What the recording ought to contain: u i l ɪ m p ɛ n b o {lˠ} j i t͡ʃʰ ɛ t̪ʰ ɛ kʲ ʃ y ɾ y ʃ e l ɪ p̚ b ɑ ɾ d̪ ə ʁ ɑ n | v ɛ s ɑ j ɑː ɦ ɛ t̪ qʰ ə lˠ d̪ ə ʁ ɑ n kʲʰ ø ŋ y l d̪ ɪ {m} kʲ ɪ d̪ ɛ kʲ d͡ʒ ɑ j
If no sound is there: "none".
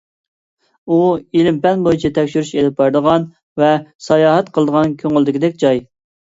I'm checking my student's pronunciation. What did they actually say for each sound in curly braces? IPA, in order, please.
none, none

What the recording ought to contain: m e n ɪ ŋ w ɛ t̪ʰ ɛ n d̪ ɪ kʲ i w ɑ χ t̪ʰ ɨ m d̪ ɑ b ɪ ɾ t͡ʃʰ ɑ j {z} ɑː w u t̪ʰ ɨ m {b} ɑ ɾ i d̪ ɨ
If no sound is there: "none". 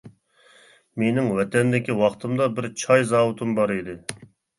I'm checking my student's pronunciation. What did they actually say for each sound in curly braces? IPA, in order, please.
z, b

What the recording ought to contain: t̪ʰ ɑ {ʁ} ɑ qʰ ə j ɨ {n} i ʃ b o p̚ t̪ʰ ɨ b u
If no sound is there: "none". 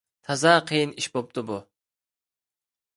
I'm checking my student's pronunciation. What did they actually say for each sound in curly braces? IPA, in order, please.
z, n

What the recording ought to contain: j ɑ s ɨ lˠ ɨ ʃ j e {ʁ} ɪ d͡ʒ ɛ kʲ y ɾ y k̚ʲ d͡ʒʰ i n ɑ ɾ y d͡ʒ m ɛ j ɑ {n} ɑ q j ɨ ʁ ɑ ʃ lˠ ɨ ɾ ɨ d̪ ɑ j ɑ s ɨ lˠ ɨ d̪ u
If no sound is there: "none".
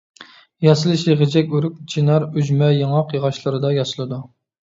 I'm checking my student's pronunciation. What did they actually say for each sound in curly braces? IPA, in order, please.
ʁ, ŋ

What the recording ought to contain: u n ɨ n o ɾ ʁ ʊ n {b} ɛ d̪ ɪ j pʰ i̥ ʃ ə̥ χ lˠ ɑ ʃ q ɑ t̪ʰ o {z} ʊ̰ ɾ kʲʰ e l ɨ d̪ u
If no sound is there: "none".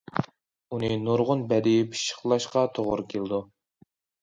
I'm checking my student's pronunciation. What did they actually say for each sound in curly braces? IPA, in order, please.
b, ʁ

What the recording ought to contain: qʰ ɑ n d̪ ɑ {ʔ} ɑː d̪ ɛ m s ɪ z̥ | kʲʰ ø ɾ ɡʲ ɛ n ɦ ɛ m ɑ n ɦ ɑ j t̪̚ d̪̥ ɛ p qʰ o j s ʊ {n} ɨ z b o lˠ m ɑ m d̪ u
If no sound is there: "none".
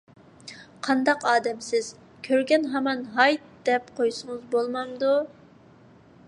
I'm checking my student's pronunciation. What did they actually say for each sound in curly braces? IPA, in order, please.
q, ŋ

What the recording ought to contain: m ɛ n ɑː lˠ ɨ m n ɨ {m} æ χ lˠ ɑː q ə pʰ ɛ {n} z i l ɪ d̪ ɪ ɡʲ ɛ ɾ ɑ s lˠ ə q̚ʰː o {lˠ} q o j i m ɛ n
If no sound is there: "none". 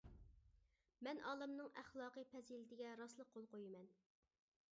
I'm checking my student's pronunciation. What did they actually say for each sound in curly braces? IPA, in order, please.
ŋ, none, lˠ

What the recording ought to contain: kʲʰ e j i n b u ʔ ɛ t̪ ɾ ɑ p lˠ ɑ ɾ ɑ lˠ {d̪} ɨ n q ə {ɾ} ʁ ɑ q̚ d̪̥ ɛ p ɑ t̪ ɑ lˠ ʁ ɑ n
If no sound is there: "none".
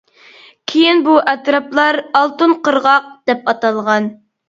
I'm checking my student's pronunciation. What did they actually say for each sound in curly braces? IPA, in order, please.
t̪, ɾ

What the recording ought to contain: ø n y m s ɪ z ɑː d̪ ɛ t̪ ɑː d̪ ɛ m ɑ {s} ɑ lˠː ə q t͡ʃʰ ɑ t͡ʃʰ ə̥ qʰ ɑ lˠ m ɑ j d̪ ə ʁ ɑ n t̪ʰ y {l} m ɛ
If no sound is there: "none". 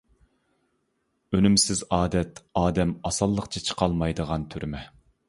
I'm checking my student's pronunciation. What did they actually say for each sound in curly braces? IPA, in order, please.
s, ɾ

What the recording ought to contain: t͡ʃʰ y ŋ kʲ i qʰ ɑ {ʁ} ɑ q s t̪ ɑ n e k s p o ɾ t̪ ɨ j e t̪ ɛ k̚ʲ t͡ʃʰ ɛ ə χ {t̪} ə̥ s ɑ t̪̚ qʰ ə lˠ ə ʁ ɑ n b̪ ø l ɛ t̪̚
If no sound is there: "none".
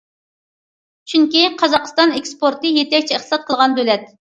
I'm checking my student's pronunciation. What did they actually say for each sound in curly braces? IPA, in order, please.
z, t̪

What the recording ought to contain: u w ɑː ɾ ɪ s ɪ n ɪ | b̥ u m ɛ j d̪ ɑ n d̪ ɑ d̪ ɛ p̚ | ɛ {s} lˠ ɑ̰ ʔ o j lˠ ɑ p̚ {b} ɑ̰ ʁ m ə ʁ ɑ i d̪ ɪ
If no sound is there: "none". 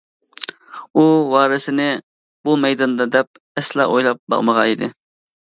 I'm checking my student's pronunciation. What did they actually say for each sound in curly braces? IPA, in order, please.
s, b

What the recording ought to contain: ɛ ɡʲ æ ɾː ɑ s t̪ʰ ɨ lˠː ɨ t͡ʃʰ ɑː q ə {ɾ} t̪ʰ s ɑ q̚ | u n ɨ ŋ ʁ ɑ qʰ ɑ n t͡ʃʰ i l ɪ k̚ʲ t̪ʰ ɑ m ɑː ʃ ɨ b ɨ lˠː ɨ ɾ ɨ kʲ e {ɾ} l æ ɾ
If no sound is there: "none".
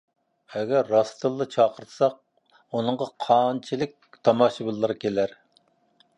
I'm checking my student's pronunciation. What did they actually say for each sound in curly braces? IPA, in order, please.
ɾ, none

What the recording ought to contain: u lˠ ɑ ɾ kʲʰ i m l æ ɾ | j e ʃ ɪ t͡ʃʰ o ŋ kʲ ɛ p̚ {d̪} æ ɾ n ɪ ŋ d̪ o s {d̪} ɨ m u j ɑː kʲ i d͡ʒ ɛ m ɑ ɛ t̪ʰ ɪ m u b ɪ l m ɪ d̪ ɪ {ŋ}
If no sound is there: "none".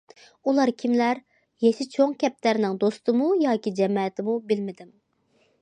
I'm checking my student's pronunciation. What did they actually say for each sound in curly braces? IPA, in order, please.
t̪, t̪, m

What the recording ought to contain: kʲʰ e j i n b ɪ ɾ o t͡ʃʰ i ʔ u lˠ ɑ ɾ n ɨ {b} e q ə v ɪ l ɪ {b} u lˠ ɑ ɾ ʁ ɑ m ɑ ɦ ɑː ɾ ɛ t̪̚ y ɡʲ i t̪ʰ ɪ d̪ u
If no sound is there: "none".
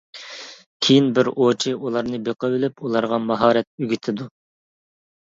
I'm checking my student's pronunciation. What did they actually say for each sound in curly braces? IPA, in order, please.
b, p

